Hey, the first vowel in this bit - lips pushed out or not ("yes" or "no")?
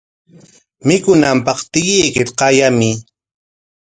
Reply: no